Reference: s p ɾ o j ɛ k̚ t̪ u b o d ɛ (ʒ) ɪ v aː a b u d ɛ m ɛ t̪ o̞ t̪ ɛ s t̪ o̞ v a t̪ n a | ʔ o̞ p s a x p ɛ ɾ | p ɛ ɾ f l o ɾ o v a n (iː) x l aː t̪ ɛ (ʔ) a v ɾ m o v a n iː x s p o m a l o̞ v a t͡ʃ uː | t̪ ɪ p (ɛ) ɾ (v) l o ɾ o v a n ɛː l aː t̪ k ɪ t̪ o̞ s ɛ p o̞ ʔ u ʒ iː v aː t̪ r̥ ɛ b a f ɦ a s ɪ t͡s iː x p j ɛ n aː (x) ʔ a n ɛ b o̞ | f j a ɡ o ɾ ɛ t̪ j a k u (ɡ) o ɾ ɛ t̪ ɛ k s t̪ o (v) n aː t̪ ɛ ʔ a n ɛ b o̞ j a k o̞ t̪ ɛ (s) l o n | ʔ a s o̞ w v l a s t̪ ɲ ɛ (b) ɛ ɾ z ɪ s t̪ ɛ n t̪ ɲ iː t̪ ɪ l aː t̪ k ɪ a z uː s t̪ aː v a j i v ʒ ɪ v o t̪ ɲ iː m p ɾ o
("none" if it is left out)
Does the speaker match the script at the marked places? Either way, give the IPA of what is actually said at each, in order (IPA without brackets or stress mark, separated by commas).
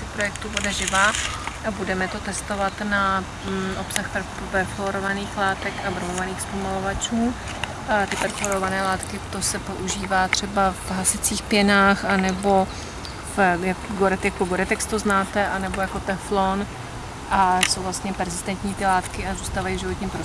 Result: ʒ, iː, k, ɛ, f, x, ɡ, z, f, p